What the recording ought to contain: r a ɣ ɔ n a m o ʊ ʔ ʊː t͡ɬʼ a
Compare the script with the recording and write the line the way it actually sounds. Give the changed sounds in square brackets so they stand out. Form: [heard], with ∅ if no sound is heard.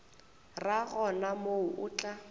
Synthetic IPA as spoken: r a ɣ ɔ n a m o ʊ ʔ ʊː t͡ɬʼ a